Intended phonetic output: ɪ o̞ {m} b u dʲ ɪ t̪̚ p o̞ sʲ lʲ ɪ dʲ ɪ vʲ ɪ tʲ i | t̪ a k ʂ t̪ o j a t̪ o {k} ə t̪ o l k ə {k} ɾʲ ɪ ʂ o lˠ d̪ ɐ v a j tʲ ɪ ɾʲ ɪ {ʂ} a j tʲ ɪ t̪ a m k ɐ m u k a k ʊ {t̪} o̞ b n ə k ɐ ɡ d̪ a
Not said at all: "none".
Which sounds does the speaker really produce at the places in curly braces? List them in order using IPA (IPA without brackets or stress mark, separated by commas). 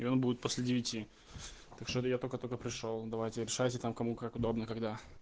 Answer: n, k, p, ʂ, d̪